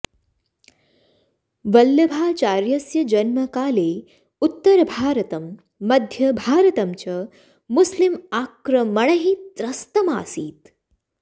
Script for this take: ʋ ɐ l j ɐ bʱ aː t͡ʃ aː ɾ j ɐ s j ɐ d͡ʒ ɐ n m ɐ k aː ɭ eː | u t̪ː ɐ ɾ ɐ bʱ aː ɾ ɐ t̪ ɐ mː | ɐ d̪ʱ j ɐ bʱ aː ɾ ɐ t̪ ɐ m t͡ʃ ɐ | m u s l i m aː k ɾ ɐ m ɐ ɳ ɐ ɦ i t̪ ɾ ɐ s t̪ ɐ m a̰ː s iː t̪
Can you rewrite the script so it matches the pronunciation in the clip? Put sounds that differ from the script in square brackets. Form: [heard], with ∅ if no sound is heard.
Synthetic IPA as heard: ʋ ɐ l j ɐ bʱ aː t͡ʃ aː ɾ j ɐ s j ɐ d͡ʒ ɐ n m ɐ k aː [l] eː | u t̪ː ɐ ɾ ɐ bʱ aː ɾ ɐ t̪ ɐ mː | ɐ d̪ʱ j ɐ bʱ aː ɾ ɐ t̪ ɐ m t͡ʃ ɐ | m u s l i m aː k ɾ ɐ m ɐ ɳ ɐ ɦ i t̪ ɾ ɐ s t̪ ɐ m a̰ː s iː t̪